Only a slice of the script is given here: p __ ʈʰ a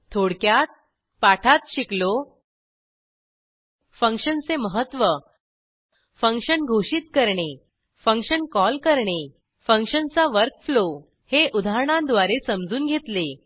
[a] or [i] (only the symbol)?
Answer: a